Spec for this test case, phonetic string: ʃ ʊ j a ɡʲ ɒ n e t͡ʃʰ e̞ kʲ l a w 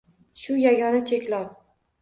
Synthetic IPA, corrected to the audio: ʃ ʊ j a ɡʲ ɒ n a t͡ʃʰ e̞ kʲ l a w